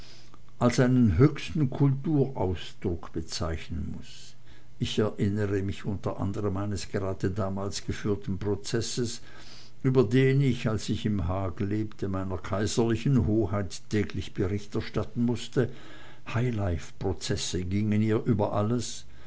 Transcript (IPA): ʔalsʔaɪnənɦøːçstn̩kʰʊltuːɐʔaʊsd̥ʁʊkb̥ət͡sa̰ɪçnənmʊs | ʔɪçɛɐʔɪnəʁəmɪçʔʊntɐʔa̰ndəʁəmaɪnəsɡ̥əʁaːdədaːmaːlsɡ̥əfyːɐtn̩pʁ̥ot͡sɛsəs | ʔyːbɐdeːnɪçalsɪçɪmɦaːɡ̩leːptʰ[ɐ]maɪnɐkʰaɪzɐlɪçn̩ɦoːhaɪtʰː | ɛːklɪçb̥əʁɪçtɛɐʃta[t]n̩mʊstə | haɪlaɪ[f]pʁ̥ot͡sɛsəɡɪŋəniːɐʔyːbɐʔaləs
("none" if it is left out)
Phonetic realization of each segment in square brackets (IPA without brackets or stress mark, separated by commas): ə, t, f